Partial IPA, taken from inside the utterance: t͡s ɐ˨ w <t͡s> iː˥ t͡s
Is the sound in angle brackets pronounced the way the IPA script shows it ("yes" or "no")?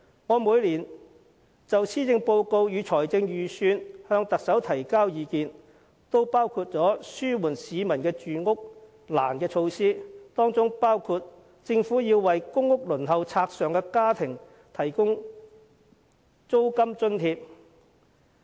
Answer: no